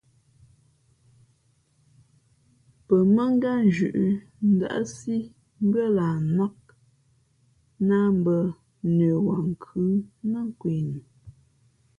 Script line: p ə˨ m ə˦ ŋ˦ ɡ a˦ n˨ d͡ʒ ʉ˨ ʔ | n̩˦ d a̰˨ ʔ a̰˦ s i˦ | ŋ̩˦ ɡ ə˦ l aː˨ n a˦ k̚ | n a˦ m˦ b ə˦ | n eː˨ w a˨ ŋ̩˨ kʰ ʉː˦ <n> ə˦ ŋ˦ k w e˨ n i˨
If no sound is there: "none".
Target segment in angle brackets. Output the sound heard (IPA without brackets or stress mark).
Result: n